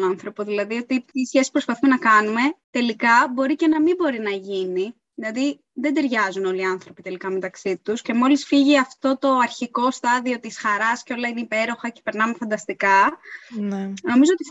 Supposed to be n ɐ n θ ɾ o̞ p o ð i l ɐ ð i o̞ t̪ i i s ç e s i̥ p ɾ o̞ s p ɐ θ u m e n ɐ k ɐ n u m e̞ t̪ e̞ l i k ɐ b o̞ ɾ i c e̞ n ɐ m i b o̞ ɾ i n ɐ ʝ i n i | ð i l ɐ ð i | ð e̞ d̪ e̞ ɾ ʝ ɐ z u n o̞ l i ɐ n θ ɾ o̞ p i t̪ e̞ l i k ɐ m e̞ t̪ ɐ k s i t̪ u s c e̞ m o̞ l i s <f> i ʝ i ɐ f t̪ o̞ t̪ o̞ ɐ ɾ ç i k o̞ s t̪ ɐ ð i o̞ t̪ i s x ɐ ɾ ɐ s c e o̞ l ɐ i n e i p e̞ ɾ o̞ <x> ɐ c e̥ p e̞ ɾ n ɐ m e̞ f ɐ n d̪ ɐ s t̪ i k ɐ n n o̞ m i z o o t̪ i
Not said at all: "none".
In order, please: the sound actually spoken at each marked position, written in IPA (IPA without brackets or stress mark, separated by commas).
f, x